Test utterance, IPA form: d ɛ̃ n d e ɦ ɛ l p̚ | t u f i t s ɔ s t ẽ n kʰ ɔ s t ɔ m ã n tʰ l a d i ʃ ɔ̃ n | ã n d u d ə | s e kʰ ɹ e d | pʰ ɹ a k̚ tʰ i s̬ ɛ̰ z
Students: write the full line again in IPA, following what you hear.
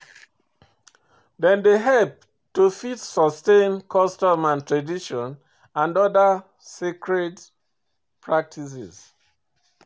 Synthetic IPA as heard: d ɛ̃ n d e ɦ ɛ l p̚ | t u f i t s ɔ s t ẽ n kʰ ɔ s t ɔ m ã n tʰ ɹ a d i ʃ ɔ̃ n | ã n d ɔ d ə | s e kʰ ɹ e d | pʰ ɹ a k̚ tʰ i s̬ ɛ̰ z